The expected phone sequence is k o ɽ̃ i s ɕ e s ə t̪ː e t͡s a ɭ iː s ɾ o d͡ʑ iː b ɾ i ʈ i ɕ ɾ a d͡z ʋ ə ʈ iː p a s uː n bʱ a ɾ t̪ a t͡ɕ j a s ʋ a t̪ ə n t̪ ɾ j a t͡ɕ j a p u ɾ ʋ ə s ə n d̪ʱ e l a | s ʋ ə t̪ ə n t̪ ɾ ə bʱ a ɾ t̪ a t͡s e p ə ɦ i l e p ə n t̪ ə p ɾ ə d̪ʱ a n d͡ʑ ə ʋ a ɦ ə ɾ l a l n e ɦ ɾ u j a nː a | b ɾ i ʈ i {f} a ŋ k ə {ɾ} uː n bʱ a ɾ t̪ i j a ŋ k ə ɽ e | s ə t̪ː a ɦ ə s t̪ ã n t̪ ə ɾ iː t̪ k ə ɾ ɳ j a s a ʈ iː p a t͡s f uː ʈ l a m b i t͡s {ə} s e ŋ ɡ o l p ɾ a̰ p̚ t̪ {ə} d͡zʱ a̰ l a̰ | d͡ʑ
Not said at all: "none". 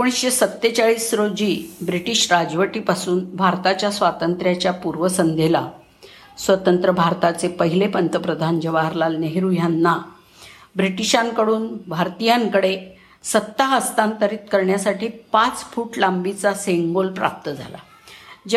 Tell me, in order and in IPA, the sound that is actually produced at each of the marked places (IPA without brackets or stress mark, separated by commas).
ɕ, ɽ, a, ə